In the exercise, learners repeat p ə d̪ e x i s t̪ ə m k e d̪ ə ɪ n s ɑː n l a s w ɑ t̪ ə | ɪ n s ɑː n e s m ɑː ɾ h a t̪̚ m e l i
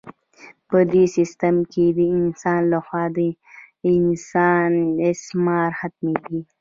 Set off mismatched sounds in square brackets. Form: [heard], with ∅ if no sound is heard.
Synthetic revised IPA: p ə d̪ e [s] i s t̪ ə m k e d̪ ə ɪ n s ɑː n l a [x] w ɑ [d̪] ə | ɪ n s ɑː n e s m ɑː ɾ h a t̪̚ m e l i